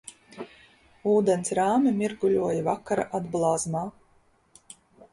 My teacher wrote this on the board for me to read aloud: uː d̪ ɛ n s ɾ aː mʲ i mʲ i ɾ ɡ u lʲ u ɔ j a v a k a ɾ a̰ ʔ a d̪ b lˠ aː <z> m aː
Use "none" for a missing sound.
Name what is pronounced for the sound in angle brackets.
z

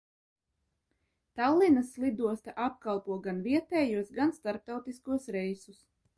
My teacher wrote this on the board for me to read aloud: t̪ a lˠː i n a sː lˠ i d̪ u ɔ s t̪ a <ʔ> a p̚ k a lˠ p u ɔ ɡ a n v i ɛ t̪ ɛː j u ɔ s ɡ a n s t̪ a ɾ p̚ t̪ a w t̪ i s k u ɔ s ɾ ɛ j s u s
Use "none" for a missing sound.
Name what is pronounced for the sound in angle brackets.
ʔ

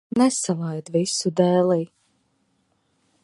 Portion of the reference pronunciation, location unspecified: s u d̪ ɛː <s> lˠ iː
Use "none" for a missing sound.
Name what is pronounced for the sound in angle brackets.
none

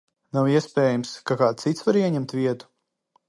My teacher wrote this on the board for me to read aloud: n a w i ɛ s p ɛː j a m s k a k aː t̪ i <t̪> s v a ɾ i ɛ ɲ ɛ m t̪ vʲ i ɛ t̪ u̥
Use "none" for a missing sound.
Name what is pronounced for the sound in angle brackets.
t̪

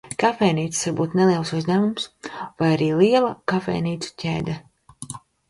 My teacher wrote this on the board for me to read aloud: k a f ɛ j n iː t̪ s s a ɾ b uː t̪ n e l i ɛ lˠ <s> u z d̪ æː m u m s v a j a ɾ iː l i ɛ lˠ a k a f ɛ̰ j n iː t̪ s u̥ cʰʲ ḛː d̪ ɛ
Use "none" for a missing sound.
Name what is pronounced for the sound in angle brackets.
s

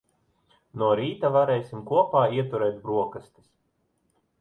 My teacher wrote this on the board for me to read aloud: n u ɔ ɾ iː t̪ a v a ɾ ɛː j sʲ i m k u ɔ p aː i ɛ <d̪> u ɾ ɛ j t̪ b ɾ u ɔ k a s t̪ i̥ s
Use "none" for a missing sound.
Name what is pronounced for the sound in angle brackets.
t̪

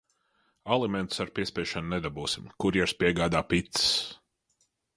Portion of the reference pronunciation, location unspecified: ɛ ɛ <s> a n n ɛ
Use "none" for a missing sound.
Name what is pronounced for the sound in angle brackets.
ʃ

